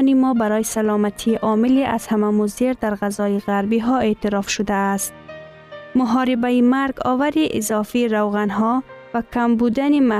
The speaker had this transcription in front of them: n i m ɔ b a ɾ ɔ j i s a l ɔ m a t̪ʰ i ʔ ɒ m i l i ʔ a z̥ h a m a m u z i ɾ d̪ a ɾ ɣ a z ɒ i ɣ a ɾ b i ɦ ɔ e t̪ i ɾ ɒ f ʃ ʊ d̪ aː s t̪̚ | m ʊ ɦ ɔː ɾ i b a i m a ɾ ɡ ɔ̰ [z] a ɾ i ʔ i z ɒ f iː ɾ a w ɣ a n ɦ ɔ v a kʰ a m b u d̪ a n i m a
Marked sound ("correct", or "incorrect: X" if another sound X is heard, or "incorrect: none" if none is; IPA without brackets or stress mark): incorrect: v